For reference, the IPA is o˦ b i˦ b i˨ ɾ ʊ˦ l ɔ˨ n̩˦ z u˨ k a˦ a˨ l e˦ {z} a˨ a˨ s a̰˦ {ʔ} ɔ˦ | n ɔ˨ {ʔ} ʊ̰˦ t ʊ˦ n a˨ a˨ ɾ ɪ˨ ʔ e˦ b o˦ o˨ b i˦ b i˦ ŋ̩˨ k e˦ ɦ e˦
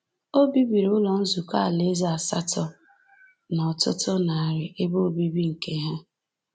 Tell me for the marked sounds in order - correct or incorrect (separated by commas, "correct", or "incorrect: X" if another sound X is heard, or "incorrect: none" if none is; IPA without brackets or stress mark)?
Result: correct, incorrect: t, incorrect: t